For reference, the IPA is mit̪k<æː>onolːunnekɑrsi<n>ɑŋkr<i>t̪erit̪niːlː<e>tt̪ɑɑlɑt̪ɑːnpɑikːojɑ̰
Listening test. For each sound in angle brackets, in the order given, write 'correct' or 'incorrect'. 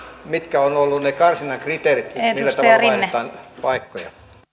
incorrect: æ, correct, correct, incorrect: æ

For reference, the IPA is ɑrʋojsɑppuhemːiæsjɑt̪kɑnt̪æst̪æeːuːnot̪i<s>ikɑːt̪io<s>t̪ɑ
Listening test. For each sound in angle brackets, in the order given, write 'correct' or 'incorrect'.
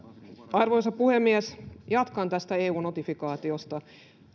incorrect: f, correct

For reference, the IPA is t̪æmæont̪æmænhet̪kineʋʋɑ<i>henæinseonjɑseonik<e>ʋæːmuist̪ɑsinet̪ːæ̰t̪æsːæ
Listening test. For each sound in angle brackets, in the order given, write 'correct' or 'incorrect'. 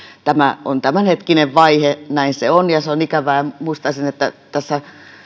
correct, incorrect: æ

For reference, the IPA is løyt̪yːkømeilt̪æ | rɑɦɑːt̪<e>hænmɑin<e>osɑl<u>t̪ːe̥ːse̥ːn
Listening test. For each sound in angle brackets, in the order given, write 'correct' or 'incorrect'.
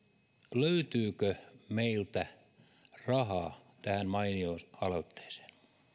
incorrect: æ, incorrect: i, incorrect: o

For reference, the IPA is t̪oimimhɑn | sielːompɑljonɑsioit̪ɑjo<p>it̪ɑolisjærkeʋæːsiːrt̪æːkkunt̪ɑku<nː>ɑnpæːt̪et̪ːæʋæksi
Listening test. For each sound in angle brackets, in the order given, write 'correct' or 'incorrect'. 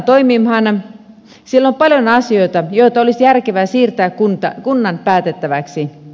incorrect: none, correct

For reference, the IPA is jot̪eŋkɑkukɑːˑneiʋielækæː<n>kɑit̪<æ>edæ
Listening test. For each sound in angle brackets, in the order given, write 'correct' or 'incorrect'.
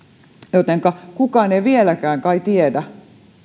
incorrect: ŋ, incorrect: i

